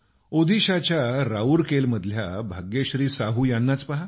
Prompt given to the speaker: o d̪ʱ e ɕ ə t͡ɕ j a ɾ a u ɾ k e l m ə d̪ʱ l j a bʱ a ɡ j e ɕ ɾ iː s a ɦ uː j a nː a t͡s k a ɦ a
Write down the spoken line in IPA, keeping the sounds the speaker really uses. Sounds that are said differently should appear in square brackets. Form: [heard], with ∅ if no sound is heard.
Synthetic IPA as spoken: o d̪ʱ [i] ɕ [a] t͡ɕ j a ɾ a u ɾ k e l m ə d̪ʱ l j a bʱ a ɡ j e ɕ ɾ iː s a ɦ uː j a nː a t͡s [p] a ɦ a